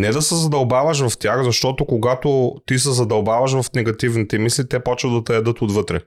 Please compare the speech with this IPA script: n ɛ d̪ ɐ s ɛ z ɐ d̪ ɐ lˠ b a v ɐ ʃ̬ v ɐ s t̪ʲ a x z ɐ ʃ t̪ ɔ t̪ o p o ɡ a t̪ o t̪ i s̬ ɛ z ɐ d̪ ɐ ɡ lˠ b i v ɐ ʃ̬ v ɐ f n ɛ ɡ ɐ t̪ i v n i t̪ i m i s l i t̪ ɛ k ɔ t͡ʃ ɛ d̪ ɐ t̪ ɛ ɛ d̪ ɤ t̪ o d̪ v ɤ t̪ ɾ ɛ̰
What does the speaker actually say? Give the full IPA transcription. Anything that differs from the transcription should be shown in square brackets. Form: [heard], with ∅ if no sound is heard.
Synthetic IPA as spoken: n ɛ d̪ ɐ s ɛ z ɐ d̪ ɐ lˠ b a v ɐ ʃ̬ v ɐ [f] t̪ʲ a x z ɐ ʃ t̪ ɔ t̪ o [k] o ɡ a t̪ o t̪ i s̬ ɛ z ɐ d̪ ɐ [∅] lˠ b [a] v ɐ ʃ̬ v ɐ f n ɛ ɡ ɐ t̪ i v n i t̪ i m i s l i t̪ ɛ [p] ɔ t͡ʃ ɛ d̪ ɐ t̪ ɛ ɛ d̪ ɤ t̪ o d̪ v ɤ t̪ ɾ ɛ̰